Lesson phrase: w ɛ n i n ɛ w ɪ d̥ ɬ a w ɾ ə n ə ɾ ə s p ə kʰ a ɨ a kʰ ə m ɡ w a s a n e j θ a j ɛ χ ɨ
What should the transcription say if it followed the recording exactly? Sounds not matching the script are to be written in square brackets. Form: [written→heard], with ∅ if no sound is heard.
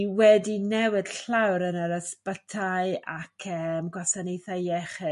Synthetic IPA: w ɛ [n→d] i n ɛ w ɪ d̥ ɬ a w ɾ ə n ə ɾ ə s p ə [kʰ→tʰ] a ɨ a kʰ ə m ɡ w a s a n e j θ a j ɛ χ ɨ